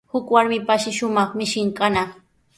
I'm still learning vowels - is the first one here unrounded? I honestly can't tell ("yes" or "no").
no